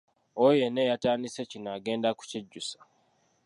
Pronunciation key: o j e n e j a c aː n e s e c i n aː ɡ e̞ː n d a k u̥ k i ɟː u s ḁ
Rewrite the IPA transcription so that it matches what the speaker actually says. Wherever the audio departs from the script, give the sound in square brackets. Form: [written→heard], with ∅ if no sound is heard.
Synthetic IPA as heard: o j e n e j a [c→t] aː n [e→i] s e c i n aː ɡ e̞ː n d a k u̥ [k→c] i ɟː u s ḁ